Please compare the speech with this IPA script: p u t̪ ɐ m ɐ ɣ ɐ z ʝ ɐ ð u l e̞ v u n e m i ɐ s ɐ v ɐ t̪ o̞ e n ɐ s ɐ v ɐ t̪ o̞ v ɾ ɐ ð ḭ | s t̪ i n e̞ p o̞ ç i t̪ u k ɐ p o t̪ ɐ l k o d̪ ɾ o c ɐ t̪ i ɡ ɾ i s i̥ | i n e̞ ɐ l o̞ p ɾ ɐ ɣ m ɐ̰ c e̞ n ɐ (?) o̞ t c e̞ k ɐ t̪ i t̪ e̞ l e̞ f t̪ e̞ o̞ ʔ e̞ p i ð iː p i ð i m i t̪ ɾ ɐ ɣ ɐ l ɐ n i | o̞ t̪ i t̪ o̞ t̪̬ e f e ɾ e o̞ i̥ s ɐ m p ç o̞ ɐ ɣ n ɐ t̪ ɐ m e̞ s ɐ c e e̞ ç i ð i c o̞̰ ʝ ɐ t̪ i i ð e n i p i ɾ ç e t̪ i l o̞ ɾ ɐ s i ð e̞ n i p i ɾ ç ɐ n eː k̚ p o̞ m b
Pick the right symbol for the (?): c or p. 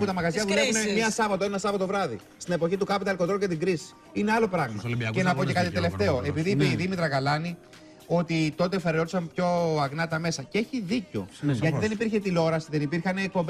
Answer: p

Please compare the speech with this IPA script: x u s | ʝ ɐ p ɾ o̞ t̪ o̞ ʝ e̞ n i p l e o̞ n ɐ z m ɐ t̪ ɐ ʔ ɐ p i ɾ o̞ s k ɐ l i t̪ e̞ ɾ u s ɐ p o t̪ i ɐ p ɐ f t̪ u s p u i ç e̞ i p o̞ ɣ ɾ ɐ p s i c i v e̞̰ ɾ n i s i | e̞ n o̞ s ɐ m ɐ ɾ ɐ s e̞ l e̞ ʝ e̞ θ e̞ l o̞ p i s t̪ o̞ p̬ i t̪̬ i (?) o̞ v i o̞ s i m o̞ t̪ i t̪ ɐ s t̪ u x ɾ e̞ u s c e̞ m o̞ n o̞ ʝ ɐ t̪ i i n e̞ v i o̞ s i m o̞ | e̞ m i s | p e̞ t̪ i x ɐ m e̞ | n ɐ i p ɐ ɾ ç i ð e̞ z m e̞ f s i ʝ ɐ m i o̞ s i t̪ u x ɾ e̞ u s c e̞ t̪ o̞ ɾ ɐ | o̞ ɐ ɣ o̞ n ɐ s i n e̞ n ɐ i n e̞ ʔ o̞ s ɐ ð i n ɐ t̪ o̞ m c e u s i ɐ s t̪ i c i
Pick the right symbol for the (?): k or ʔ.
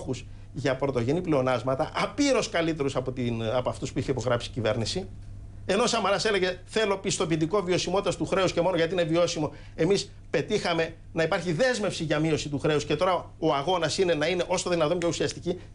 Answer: k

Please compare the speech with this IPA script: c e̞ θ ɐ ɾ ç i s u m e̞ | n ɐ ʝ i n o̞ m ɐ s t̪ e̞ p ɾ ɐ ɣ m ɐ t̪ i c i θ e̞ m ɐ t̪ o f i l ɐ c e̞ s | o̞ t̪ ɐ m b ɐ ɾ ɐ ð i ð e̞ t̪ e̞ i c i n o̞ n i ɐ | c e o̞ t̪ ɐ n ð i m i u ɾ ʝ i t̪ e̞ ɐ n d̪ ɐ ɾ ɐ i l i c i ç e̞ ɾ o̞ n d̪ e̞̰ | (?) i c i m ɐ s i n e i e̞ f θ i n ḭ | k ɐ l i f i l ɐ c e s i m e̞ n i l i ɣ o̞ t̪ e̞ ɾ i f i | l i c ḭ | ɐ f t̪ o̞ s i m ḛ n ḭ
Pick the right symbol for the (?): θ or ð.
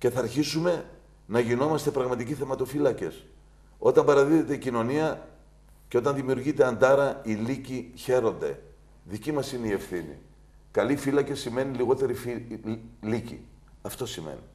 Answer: ð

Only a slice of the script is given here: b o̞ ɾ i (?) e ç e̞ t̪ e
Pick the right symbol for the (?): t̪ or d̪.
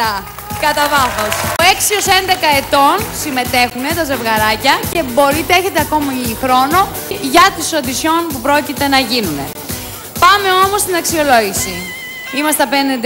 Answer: t̪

